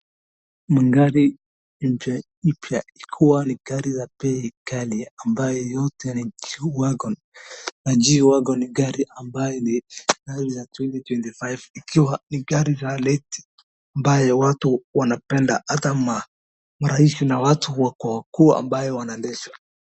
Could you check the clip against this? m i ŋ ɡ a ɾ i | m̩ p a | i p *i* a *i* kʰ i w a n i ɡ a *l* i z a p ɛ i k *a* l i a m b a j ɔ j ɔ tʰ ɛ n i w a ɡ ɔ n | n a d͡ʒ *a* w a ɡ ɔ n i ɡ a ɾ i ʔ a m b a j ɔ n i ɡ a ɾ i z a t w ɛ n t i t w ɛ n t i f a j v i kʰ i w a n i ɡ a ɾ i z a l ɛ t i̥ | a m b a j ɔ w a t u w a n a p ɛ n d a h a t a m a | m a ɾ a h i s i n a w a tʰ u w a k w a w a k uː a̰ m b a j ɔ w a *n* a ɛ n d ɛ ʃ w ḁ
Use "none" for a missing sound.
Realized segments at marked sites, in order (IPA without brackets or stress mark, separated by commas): j, i, ɾ, a, i, n